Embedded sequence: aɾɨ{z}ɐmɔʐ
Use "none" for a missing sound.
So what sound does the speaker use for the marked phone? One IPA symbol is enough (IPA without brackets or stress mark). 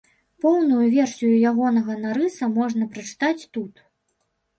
s